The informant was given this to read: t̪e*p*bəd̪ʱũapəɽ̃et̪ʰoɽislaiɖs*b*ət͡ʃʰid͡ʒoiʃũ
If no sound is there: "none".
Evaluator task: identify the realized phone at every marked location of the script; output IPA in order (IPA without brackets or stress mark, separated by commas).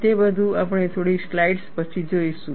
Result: none, p